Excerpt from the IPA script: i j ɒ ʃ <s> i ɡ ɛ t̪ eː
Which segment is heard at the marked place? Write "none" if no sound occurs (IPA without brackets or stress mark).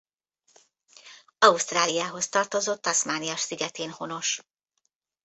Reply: s